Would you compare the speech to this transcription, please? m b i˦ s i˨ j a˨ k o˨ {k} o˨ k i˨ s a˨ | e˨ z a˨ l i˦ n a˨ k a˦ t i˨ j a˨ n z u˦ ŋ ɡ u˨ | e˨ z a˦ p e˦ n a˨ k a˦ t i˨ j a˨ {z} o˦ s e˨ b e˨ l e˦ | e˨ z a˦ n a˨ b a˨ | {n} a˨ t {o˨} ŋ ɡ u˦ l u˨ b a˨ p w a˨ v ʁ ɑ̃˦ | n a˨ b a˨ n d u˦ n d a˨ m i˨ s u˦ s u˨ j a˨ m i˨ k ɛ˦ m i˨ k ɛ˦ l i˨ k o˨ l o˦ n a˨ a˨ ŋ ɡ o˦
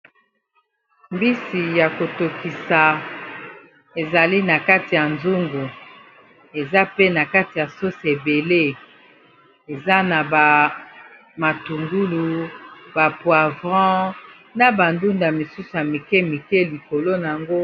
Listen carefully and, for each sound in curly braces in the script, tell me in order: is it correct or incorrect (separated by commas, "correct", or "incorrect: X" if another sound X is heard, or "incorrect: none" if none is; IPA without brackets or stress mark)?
incorrect: t, incorrect: s, incorrect: m, incorrect: u˨